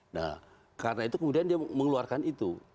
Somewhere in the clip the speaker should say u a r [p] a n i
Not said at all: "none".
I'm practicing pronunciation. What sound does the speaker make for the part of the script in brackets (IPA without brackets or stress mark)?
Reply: k